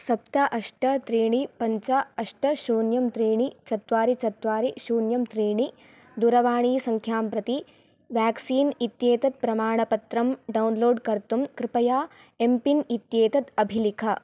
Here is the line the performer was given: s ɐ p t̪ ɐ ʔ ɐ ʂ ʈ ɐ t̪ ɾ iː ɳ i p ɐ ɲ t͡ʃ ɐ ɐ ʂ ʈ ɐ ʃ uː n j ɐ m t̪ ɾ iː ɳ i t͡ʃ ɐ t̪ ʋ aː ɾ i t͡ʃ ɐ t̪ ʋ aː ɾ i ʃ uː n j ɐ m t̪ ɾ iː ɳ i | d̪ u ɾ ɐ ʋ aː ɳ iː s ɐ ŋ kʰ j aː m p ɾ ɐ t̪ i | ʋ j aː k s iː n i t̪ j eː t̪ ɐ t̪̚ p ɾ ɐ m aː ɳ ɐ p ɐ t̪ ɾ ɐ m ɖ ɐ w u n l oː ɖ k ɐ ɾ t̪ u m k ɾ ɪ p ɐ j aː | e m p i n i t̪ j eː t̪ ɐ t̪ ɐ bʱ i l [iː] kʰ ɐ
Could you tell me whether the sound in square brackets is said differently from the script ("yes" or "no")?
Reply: yes